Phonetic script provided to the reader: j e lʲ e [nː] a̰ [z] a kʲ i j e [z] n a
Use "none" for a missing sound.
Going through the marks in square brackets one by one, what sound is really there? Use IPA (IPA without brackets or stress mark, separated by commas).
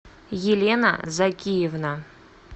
n, z, v